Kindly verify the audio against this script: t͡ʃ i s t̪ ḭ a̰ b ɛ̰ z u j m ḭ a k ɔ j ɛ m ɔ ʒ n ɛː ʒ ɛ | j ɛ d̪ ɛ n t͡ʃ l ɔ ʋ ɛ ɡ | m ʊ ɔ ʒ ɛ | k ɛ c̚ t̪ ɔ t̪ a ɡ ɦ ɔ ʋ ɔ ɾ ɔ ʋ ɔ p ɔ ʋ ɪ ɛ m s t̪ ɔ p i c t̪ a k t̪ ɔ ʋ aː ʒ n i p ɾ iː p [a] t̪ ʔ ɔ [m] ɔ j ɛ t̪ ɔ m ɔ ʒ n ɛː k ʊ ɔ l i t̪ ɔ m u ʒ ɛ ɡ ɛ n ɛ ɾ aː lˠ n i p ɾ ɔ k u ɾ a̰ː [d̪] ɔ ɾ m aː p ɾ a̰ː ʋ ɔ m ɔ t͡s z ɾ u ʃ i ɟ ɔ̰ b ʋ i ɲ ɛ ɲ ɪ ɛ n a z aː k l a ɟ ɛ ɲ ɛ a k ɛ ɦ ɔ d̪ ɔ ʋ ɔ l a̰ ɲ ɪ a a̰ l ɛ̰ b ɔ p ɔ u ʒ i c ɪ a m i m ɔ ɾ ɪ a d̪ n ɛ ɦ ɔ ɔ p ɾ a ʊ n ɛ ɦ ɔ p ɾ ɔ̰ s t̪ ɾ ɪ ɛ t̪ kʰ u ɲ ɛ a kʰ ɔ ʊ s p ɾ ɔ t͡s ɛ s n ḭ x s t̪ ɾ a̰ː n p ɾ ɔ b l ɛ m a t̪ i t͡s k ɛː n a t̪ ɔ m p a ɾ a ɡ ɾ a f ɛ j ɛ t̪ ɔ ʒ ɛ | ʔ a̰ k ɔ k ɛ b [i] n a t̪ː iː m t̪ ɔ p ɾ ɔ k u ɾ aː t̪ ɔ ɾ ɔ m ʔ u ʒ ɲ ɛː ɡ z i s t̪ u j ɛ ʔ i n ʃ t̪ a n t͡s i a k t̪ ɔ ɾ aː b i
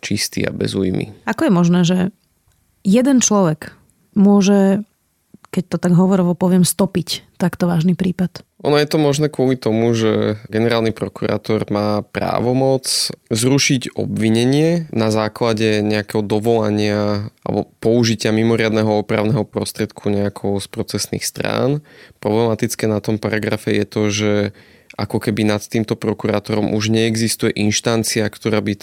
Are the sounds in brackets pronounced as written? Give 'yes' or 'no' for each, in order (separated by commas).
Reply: yes, no, no, yes